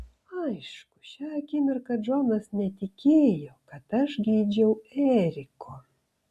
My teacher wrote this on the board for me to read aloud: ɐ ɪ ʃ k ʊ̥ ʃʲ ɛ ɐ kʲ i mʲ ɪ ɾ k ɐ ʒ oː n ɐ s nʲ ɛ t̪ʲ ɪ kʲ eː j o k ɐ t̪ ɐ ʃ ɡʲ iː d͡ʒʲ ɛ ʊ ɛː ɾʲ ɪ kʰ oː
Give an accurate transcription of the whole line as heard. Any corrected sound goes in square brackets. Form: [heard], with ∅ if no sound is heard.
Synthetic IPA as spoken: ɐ ɪ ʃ k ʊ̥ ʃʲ ɛ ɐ kʲ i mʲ ɪ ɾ k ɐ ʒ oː n ɐ s nʲ ɛ t̪ʲ ɪ kʲ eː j o k ɐ t̪ ɐ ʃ ɡʲ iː d͡ʒʲ ɛ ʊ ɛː ɾʲ ɪ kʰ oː